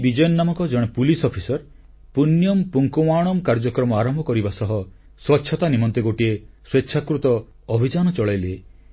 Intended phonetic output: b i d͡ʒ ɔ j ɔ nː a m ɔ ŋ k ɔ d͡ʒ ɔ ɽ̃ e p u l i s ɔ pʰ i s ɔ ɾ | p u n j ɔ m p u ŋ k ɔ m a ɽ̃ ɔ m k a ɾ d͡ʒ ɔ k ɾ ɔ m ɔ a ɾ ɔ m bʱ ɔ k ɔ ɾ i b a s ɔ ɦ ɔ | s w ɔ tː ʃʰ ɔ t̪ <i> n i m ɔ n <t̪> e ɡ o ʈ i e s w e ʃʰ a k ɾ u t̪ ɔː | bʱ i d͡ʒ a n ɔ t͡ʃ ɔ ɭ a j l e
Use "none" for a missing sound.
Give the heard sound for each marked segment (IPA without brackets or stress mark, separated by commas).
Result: a, t̪